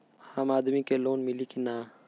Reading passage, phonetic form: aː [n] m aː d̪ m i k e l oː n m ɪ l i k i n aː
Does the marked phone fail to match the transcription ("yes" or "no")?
yes